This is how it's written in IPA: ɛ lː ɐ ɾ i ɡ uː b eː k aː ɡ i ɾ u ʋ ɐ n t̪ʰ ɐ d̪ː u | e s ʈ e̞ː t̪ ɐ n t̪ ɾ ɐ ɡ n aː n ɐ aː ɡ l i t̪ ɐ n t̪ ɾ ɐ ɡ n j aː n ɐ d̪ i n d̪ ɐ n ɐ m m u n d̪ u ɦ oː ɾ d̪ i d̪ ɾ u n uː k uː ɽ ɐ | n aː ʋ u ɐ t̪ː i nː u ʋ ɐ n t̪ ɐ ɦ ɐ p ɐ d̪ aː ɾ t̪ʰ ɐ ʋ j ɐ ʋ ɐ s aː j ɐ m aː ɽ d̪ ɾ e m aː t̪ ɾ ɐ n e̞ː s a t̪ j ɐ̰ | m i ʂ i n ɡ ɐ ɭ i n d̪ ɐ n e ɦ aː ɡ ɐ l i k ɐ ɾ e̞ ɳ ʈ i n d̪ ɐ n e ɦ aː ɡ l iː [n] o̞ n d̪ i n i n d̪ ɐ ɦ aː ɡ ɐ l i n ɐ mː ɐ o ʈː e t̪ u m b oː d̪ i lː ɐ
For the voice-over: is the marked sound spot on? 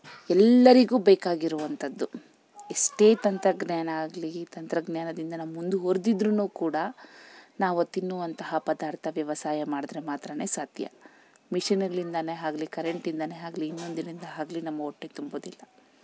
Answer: no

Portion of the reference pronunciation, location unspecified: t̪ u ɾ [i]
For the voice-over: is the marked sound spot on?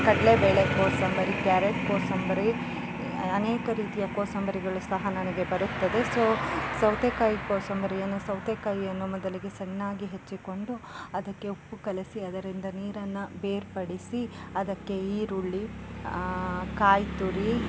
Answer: yes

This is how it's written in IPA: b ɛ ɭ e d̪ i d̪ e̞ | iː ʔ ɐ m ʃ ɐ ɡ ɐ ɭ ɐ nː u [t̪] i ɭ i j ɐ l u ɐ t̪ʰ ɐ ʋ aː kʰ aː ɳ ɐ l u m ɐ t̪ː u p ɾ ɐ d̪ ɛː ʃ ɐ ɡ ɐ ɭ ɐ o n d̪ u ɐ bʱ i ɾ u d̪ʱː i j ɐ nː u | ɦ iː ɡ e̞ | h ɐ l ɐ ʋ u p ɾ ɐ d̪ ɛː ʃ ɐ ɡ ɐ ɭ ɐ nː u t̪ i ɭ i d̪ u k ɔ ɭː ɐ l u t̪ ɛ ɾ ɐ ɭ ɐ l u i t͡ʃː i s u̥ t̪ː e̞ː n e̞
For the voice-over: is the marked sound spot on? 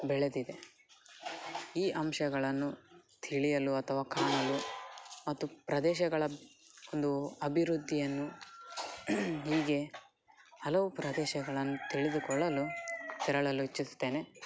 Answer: no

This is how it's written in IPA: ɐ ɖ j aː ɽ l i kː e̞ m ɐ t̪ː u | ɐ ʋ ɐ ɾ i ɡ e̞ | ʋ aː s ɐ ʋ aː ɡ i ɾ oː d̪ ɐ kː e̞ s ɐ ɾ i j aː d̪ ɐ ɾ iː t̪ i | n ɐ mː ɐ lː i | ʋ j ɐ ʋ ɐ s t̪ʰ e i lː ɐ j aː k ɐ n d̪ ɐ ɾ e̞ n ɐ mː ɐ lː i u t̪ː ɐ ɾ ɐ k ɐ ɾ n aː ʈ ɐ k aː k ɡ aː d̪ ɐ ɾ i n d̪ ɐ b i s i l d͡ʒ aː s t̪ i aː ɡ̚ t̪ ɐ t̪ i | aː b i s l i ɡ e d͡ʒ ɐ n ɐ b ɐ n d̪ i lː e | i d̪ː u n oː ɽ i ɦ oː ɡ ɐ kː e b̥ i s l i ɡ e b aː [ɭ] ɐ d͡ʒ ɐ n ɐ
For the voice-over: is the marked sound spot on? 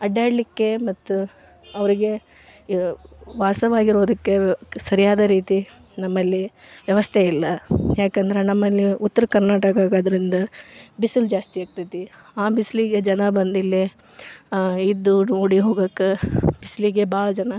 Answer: yes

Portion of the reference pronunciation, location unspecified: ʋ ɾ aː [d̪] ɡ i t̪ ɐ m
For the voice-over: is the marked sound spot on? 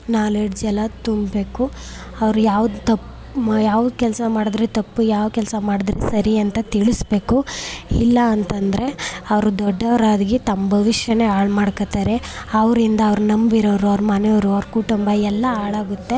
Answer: yes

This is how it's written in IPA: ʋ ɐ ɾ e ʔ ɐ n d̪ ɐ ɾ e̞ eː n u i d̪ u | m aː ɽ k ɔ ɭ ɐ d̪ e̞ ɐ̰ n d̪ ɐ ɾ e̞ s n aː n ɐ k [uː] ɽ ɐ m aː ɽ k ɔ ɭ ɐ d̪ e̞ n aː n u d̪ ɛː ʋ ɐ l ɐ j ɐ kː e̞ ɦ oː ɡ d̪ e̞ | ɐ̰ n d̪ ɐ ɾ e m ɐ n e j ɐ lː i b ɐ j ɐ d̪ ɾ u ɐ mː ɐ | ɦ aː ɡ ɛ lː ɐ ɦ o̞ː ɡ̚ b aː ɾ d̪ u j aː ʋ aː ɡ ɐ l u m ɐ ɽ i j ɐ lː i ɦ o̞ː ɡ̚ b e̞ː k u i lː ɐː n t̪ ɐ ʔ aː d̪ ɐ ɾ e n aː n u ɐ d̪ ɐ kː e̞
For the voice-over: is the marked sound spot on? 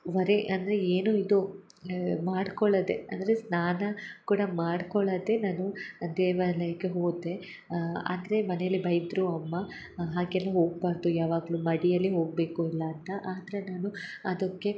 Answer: yes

